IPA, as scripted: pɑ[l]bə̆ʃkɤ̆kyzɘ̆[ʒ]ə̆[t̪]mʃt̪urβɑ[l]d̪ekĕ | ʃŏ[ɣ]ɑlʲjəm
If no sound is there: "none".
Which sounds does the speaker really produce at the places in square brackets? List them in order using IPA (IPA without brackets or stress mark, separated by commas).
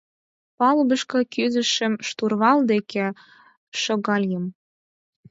l, ʃ, none, l, ɣ